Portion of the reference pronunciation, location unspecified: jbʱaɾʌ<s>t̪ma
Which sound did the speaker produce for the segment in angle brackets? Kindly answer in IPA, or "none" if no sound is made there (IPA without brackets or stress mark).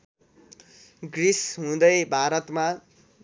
none